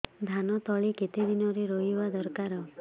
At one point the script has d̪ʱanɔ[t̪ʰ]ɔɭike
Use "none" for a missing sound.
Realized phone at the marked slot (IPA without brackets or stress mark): t̪